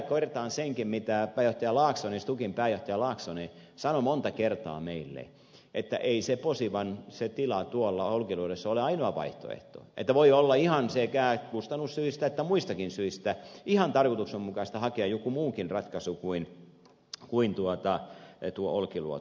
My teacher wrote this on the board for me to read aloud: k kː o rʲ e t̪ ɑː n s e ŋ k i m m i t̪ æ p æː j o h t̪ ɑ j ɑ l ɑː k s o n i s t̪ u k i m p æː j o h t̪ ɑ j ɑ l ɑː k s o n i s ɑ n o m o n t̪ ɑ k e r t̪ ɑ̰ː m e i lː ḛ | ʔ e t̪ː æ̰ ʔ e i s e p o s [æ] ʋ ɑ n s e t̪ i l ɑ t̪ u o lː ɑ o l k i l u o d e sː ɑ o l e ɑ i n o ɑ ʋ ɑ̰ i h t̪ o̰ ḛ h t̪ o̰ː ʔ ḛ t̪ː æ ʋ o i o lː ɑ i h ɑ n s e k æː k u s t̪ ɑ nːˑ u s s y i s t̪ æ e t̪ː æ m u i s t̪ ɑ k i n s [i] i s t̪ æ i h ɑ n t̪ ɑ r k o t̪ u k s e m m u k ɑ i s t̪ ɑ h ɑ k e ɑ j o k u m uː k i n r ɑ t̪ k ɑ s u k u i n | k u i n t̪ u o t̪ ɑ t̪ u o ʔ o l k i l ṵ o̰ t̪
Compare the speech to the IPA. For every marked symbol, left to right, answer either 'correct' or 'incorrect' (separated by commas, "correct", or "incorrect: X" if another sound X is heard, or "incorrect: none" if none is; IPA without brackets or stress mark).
incorrect: i, incorrect: y